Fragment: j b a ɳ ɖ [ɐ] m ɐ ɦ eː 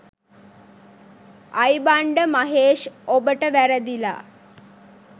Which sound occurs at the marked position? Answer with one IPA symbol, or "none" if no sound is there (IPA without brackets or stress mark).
ə